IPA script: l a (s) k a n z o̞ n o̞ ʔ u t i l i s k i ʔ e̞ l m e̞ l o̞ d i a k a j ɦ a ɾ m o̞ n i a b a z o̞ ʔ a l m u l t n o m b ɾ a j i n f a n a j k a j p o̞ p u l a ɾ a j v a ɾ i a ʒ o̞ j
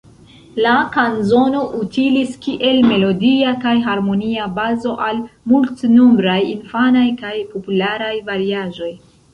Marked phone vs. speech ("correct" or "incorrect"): incorrect